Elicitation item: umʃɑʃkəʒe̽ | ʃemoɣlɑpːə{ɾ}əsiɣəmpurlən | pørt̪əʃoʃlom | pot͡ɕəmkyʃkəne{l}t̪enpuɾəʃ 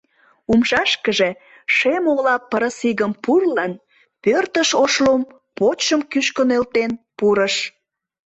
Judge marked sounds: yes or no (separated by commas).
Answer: yes, yes